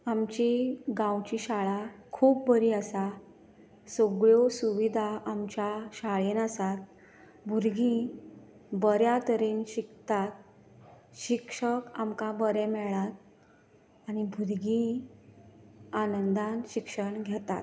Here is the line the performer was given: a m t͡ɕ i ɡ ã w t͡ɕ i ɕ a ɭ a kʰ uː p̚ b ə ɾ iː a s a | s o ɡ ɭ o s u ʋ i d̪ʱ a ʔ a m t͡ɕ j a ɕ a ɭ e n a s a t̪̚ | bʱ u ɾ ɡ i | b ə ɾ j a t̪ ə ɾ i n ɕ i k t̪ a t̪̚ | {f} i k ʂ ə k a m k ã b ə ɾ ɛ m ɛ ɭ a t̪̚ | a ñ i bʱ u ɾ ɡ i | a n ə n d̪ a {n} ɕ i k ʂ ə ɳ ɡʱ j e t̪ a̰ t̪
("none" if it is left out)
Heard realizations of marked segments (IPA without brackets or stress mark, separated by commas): ɕ, n